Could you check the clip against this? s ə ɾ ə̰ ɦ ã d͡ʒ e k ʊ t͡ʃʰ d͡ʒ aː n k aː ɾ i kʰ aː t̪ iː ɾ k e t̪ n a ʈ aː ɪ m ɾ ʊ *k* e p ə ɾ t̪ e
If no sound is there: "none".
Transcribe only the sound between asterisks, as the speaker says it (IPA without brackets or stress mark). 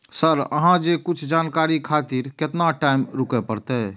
k